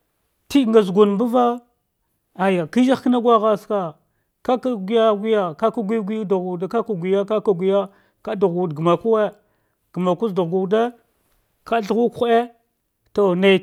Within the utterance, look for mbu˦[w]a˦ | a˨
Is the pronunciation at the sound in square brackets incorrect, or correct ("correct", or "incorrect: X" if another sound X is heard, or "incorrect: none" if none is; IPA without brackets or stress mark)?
incorrect: v